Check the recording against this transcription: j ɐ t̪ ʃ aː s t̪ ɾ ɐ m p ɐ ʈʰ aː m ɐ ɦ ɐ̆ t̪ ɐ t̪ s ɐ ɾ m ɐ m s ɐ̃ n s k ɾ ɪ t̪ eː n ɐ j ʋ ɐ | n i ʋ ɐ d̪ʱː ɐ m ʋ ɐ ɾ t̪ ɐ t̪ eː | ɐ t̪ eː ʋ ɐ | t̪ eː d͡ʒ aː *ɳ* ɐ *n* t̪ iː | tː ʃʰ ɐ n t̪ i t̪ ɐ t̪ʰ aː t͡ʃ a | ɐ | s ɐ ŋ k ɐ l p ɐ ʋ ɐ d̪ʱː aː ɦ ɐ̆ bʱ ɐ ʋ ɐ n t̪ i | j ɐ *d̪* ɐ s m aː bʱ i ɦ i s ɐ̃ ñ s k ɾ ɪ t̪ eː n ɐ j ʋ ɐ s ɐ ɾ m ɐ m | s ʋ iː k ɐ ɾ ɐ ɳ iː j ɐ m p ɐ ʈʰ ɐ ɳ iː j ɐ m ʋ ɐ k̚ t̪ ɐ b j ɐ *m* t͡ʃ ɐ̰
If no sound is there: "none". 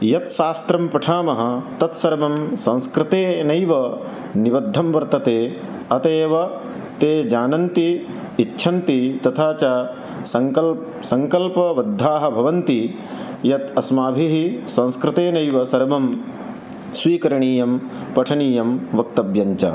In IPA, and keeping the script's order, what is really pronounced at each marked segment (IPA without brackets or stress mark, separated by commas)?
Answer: n, n, t̪, ɲ